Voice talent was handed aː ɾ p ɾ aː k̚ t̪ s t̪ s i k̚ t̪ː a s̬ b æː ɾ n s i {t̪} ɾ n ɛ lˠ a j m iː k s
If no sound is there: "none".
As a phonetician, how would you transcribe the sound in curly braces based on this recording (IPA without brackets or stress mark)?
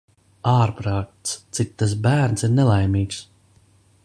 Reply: none